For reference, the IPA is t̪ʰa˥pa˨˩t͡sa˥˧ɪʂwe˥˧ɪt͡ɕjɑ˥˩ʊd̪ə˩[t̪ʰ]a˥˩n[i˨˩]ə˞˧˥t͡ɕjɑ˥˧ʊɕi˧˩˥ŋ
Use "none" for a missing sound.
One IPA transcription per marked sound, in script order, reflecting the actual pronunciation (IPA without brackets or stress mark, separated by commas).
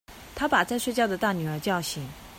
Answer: t̪, y˨˩